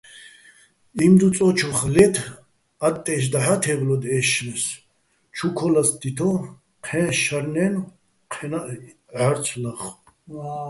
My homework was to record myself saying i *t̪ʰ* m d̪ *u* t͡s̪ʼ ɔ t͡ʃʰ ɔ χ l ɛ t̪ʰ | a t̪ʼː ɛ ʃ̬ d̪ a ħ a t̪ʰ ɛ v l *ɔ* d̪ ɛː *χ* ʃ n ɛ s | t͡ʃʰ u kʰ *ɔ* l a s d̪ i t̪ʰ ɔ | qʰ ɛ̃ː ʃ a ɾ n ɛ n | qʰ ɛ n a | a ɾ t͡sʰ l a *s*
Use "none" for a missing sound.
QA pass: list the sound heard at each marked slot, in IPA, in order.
none, u, ɔ, none, ɔ, χ

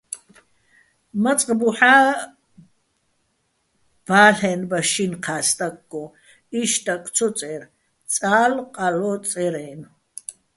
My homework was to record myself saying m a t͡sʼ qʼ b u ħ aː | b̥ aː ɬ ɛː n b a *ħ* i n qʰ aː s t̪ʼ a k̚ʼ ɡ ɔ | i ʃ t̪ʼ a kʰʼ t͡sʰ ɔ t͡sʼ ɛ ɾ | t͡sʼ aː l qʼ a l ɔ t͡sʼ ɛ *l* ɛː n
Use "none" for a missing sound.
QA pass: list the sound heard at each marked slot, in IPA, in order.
ʃ, ɾ

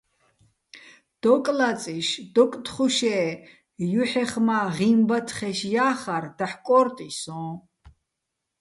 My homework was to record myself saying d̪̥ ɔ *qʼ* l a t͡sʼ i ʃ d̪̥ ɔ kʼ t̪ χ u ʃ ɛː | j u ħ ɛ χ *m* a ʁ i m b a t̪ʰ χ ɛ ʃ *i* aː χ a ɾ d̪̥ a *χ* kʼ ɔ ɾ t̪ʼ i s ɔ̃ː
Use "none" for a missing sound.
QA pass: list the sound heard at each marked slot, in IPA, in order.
kʼ, m, j, ħ

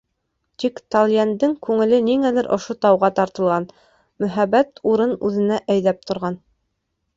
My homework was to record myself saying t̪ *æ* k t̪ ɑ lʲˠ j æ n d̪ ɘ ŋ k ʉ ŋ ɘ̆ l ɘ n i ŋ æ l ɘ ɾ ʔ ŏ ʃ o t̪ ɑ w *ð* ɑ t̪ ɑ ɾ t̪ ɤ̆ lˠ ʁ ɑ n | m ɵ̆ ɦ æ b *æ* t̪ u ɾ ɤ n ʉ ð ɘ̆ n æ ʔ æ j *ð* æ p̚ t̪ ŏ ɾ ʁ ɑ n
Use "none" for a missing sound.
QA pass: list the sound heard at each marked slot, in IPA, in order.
i, ʁ, æ, ð

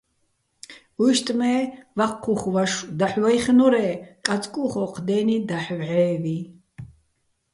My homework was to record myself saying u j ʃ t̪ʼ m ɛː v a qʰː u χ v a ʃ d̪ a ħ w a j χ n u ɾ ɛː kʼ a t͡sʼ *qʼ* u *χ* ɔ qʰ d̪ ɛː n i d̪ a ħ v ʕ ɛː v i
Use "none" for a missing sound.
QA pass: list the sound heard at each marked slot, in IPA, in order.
kʼ, χ

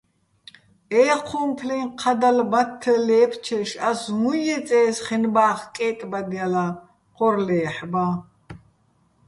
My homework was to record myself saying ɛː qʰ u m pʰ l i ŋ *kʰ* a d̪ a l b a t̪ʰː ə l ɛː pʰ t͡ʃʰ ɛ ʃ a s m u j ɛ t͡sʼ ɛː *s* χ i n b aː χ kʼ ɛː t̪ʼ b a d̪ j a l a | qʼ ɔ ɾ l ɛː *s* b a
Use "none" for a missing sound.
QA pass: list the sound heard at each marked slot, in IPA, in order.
qʰ, s, ħ

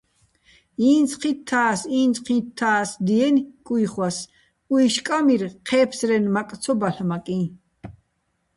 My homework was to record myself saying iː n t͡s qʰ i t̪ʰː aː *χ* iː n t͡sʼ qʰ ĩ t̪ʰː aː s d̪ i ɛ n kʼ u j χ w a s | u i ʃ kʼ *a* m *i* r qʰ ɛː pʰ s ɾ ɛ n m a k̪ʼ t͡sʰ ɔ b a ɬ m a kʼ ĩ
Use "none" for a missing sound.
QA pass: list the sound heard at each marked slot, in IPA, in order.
s, a, i

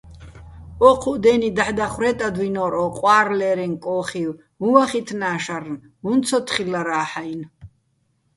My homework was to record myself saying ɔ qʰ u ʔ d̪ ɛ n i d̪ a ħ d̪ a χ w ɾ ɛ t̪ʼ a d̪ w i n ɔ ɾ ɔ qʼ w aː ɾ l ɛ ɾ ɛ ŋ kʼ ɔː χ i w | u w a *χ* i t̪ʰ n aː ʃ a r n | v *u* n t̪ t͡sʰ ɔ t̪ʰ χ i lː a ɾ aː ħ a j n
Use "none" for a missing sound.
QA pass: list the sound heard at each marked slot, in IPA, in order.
χ, u

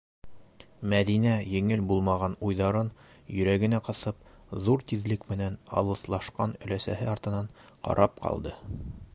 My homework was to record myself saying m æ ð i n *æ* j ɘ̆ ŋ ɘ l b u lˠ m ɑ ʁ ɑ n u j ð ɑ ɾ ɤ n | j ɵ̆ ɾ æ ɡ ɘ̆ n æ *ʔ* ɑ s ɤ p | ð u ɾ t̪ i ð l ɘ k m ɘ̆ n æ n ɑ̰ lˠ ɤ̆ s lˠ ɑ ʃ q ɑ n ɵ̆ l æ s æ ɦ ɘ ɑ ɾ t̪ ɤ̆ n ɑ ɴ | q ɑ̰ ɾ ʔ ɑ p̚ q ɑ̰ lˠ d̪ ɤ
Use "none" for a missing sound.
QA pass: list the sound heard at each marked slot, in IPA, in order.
æ, q

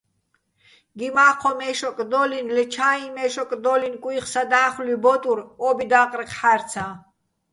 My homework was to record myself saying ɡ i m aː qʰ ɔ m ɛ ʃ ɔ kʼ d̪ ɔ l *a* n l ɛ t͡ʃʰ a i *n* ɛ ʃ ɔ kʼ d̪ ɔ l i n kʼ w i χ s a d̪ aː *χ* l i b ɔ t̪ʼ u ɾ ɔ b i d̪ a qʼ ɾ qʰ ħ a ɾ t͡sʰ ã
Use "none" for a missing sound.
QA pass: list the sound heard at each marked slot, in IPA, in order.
i, m, χ

